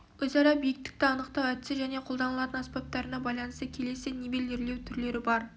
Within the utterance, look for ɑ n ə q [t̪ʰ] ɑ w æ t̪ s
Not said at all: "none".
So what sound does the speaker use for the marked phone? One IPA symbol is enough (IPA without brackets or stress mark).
t̪